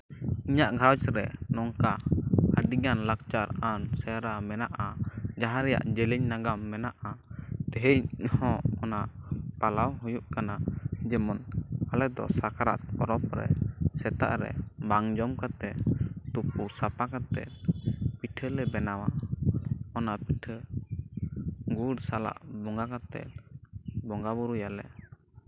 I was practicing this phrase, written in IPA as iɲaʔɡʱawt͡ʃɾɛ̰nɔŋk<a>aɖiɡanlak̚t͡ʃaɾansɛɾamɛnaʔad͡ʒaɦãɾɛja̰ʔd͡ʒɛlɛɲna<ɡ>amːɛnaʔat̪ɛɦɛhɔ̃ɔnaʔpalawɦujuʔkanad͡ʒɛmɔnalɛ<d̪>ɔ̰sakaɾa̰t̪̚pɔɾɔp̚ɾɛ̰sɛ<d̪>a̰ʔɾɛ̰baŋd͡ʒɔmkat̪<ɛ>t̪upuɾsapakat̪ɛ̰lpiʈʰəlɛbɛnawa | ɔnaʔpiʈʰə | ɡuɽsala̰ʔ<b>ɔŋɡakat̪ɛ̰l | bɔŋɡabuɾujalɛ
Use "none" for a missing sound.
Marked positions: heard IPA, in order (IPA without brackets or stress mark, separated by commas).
a, ɡ, d̪, t̪, ɛ, b